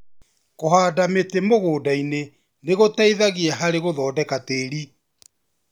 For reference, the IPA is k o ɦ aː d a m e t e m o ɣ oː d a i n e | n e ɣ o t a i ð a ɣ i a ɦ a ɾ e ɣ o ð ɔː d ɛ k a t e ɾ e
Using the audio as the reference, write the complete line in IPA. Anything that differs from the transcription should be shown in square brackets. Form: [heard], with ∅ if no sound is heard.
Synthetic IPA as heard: k o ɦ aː d a m e t e m o ɣ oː d a i n e | n e ɣ o t a i ð a ɣ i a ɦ a ɾ e ɣ o ð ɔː d ɛ k a t e ɾ [i]